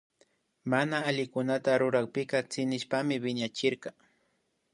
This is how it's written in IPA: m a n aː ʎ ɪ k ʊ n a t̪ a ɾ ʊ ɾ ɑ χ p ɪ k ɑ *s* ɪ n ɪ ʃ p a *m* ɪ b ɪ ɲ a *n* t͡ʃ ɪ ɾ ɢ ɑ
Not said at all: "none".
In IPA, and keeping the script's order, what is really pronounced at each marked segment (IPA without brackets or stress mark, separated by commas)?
t͡s, m, none